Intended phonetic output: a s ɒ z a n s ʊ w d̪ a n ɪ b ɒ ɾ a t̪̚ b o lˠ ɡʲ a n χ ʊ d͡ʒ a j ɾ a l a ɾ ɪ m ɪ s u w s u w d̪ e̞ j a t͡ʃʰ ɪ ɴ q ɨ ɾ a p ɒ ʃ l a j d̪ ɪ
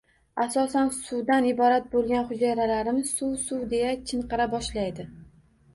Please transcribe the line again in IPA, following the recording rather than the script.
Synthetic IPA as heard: a s ɒ s a n s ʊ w d̪ a n ɪ b ɒ ɾ a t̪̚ b o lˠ ɡʲ a n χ ʊ d͡ʒ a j ɾ a l a ɾ ɪ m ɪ s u w s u w d̪ e̞ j a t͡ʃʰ ɪ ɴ q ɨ ɾ a b ɒ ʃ l a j d̪ ɪ